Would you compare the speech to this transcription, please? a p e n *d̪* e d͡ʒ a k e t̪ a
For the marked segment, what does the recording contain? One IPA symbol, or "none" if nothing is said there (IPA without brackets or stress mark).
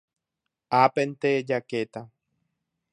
t̪